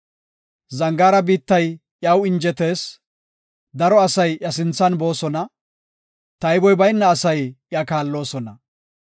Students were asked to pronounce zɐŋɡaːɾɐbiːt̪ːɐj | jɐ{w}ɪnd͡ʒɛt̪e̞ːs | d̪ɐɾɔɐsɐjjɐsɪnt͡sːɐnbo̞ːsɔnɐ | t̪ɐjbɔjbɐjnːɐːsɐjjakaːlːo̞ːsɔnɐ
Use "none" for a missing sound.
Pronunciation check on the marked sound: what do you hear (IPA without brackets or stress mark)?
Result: w